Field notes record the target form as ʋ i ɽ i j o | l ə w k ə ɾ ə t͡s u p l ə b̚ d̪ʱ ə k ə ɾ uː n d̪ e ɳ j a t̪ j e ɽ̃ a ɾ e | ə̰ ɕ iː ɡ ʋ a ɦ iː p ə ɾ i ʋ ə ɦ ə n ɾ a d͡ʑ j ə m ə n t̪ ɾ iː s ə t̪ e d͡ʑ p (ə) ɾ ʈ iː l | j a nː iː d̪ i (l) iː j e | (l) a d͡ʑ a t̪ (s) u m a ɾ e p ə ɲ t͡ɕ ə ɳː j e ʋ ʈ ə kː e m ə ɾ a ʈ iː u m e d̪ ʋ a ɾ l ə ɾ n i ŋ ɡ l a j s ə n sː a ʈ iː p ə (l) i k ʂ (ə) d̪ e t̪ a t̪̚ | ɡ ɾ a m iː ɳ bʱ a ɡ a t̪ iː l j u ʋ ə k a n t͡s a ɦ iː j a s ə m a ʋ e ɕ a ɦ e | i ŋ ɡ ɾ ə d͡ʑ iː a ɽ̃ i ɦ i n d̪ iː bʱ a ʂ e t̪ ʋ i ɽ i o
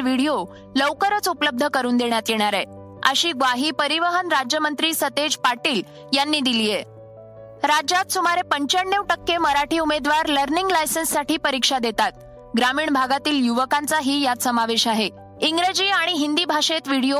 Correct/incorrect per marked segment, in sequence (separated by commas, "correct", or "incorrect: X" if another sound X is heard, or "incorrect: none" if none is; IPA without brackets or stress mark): incorrect: a, correct, incorrect: ɾ, correct, incorrect: ɾ, incorrect: a